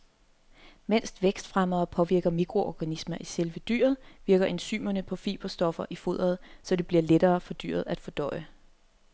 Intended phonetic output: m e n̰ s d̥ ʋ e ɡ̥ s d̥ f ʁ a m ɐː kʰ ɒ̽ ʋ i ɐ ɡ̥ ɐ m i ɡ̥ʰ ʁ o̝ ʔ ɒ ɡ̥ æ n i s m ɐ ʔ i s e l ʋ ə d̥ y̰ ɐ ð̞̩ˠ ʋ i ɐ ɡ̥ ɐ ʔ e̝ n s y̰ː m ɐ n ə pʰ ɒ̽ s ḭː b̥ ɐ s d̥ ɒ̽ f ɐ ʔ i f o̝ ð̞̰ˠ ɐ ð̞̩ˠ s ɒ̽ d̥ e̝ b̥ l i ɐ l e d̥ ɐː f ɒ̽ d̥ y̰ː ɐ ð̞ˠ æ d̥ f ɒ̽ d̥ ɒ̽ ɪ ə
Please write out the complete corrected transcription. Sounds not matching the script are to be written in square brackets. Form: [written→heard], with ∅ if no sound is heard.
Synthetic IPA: m e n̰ s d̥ ʋ e ɡ̥ s d̥ f ʁ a m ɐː [kʰ→pʰ] ɒ̽ ʋ i ɐ ɡ̥ ɐ m i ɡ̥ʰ ʁ o̝ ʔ ɒ ɡ̥ æ n i s m ɐ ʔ i s e l ʋ ə d̥ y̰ ɐ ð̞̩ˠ ʋ i ɐ ɡ̥ ɐ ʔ e̝ n s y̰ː m ɐ n ə pʰ ɒ̽ [s→f] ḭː b̥ ɐ s d̥ ɒ̽ f ɐ ʔ i f o̝ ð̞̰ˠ ɐ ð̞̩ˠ s ɒ̽ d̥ e̝ b̥ l i ɐ l e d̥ ɐː f ɒ̽ d̥ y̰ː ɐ ð̞ˠ æ d̥ f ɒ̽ d̥ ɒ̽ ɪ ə